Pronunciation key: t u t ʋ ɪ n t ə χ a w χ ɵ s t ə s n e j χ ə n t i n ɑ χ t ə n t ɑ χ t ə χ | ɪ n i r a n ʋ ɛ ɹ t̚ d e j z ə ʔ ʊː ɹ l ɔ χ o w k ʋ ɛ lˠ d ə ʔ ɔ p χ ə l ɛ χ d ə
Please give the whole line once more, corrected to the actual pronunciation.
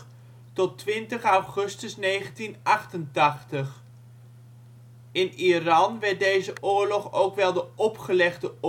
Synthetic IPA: t ɔ t ʋ ɪ n t ə χ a w χ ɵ s t ə s n e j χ ə n t i n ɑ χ t ə n t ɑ χ t ə χ | ɪ n i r ɑ n ʋ ɛ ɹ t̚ d e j z ə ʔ ʊː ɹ l ɔ χ o w k ʋ ɛ lˠ d ə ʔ ɔ p χ ə l ɛ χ d ə